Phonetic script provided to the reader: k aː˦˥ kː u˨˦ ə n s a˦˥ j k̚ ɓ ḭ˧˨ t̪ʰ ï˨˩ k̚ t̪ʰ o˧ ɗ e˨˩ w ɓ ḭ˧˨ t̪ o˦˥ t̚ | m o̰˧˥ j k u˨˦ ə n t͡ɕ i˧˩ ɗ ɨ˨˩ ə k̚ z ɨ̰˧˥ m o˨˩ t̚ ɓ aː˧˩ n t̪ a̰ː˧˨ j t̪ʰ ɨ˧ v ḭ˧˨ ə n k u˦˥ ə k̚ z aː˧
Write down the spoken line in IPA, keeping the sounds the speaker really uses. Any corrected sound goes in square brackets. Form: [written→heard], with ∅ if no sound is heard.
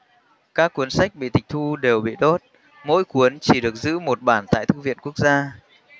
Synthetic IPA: k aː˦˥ kː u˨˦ ə n s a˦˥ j k̚ ɓ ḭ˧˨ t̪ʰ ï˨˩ k̚ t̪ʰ [o˧→u˧] ɗ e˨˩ w ɓ ḭ˧˨ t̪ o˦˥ t̚ | m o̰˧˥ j k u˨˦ ə n t͡ɕ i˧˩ ɗ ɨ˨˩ ə k̚ z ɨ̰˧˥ m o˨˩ t̚ ɓ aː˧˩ n t̪ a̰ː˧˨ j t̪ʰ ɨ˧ v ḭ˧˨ ə n k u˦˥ ə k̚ z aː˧